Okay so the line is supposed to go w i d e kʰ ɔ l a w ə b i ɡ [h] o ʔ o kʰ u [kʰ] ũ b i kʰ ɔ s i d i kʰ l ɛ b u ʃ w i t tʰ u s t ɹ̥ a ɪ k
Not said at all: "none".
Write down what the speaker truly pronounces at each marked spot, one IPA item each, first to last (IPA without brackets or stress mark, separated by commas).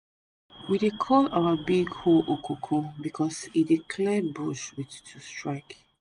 h, kʰ